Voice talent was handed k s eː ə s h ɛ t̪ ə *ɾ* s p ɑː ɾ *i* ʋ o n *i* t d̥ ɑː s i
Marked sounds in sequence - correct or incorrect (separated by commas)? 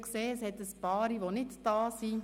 incorrect, correct, incorrect